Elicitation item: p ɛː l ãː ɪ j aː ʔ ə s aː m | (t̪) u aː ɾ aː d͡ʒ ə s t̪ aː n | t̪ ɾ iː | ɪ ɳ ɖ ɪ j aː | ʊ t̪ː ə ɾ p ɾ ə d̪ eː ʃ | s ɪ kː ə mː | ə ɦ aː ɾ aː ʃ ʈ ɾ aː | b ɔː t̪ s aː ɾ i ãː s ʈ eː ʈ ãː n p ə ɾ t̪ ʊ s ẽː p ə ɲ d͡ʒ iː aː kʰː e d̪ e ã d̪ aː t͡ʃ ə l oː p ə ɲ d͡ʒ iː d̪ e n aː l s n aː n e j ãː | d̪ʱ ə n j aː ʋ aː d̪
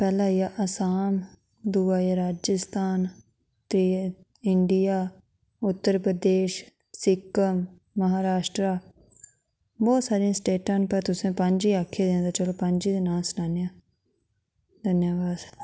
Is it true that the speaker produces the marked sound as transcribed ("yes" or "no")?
no